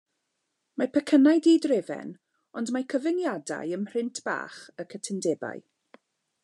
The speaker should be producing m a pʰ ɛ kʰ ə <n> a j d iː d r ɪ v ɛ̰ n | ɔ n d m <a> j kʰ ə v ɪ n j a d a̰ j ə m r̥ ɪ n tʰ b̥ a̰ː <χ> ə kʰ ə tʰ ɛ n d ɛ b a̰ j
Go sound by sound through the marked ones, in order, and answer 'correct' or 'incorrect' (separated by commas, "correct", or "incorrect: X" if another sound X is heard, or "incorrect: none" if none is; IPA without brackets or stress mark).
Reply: correct, correct, correct